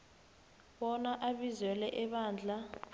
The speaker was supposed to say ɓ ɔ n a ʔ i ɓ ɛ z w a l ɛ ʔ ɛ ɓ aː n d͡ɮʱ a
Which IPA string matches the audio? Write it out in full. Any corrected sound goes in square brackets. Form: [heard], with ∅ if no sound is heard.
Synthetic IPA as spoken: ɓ ɔ n a ʔ [a] ɓ [i] z w [ɛ] l ɛ ʔ ɛ ɓ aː n d͡ɮʱ a